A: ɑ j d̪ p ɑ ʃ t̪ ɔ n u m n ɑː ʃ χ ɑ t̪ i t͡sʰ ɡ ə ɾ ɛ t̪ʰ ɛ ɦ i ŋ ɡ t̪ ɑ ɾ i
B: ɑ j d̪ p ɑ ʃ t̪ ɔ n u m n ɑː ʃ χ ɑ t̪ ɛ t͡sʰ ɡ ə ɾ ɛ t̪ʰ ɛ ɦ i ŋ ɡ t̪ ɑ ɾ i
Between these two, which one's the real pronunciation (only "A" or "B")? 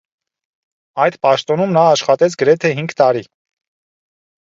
B